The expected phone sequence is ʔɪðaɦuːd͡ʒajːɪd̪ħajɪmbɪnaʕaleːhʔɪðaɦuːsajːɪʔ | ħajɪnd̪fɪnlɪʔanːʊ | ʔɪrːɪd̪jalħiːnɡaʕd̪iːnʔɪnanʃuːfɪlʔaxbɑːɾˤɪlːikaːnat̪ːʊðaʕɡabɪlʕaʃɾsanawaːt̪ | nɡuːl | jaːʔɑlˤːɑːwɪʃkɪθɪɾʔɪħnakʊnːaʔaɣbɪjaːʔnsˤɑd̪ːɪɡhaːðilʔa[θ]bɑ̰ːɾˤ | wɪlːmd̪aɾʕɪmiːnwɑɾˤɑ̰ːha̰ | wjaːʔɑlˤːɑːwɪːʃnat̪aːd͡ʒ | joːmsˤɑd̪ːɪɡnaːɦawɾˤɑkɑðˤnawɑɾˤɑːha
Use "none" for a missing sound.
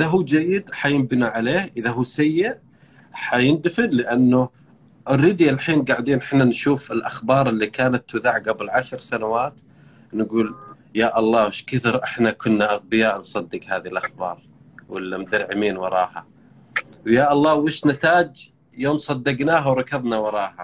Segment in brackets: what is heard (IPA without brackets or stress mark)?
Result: x